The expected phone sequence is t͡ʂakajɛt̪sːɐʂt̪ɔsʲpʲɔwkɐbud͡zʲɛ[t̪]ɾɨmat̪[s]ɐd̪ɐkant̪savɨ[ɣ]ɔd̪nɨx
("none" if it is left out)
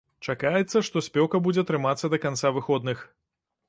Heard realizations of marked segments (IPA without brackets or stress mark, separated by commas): t̪, sː, x